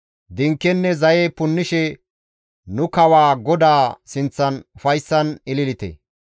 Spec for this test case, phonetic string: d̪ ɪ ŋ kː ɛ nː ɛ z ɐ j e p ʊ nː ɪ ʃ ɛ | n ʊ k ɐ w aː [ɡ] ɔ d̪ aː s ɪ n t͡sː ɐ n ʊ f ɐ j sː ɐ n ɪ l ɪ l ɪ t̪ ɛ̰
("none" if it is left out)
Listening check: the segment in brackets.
ɡ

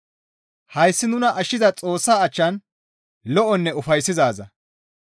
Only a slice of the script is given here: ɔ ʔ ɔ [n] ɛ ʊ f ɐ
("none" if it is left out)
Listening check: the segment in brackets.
nː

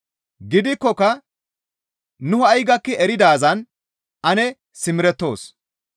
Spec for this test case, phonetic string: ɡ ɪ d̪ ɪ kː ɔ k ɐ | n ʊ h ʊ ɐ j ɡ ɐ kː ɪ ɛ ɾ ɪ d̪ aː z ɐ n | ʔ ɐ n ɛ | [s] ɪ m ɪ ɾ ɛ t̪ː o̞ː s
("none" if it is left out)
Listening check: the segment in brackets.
s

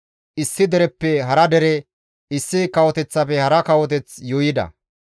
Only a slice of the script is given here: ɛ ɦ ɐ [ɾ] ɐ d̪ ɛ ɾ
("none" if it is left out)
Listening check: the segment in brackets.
ɾ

